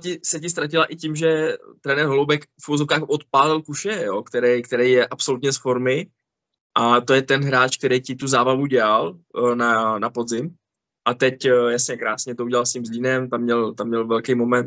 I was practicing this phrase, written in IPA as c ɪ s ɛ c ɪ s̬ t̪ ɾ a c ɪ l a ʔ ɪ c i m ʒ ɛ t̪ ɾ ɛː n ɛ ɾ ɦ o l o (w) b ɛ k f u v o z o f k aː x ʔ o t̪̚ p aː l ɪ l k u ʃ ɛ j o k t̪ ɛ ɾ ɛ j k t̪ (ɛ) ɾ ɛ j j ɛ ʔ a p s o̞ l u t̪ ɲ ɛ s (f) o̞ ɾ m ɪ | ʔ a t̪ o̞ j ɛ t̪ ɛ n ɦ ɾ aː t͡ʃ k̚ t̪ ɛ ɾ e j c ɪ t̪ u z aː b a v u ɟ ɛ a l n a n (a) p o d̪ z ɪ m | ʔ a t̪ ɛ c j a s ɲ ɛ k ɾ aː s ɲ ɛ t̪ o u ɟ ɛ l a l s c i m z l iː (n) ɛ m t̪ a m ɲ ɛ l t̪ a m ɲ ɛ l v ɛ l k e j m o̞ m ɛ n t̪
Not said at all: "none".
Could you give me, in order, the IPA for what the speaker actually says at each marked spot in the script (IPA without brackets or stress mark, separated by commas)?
w, ɛ, f, a, n